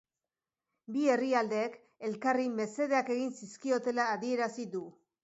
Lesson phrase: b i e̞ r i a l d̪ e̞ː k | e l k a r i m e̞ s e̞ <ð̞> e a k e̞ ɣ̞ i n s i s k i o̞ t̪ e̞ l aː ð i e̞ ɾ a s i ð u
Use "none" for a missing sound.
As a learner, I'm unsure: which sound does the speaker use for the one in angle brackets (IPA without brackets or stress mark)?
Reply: ð̞